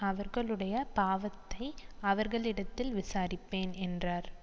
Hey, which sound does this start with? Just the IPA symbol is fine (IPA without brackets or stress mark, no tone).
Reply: ɐ